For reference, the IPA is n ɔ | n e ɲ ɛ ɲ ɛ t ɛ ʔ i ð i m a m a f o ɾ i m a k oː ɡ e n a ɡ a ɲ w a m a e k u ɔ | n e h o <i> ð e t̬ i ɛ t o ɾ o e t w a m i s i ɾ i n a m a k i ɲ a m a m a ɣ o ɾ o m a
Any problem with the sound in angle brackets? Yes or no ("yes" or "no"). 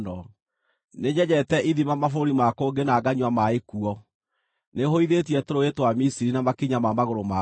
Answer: no